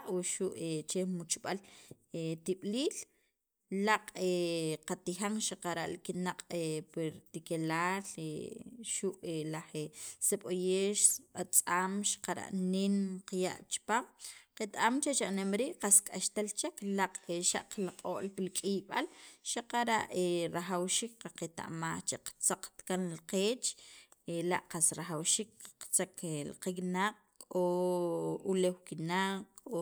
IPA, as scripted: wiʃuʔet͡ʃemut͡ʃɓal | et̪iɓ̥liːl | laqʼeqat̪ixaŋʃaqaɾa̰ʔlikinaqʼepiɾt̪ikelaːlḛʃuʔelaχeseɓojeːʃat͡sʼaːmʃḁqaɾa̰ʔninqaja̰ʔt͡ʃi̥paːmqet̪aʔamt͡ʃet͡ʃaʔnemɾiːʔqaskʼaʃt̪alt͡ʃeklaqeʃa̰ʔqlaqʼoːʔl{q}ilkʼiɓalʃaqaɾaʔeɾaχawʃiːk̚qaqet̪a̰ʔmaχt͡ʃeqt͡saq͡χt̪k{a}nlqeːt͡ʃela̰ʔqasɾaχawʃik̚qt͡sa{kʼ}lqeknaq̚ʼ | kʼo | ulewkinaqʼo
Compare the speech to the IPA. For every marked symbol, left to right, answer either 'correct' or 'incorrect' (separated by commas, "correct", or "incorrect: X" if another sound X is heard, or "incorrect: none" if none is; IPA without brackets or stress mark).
incorrect: p, correct, incorrect: k